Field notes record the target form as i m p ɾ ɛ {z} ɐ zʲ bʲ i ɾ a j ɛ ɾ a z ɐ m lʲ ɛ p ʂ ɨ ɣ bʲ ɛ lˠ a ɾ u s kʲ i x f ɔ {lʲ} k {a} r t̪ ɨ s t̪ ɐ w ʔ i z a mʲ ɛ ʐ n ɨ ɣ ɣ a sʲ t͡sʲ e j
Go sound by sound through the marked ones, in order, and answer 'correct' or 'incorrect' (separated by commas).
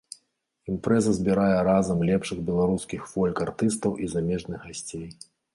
correct, correct, correct